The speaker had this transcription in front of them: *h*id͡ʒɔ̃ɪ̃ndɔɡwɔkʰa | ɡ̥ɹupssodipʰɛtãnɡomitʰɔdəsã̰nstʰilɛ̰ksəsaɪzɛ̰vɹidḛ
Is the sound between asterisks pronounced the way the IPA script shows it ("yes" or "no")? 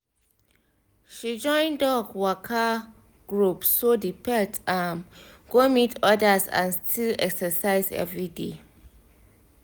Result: no